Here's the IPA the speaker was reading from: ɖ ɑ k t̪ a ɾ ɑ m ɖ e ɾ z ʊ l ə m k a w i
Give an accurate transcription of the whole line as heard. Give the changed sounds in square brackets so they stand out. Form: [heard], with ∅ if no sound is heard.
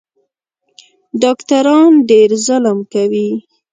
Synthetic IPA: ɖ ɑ k t̪ a ɾ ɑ [n] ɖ e ɾ z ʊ l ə m k a w i